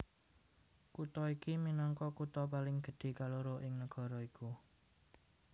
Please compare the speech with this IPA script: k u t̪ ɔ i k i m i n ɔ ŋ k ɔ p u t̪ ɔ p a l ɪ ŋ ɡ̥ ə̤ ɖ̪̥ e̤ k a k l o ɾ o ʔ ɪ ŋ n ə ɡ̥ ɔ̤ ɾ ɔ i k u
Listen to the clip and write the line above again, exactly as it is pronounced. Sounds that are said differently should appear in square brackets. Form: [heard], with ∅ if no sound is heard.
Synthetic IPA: k u t̪ ɔ i k i m i n ɔ ŋ k ɔ [k] u t̪ ɔ p a l ɪ ŋ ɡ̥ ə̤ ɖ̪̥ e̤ k a [∅] l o ɾ o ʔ ɪ ŋ n ə ɡ̥ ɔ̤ ɾ ɔ i k u